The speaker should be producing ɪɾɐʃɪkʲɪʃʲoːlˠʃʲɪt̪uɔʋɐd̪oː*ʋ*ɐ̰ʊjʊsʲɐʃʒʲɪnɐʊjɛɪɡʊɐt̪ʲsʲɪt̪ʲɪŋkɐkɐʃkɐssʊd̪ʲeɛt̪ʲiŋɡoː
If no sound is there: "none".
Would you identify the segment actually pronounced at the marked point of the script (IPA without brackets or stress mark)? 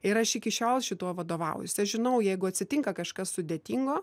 ʋ